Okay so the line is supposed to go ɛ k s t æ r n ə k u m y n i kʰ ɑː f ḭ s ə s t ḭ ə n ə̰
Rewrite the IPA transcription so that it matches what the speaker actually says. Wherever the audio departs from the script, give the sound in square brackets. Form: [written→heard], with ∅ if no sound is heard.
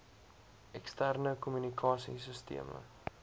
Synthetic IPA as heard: ɛ k s t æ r n ə k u m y n i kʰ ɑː [f→s] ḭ s ə s t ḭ ə [n→m] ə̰